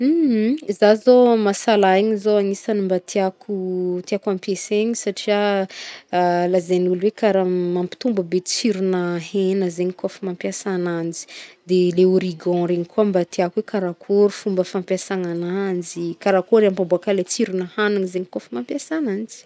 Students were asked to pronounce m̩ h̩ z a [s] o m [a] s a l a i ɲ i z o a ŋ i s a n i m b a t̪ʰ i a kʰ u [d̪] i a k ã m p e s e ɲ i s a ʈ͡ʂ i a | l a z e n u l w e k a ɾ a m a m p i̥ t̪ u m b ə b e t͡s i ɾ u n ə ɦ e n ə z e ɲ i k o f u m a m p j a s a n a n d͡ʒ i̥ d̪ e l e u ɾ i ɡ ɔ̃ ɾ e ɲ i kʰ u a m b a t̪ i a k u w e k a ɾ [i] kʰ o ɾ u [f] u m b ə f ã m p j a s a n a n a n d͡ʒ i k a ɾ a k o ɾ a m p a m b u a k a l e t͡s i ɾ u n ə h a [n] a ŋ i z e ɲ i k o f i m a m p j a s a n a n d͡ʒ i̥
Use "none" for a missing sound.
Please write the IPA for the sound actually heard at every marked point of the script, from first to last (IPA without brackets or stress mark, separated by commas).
z, a, t̪, a, f, n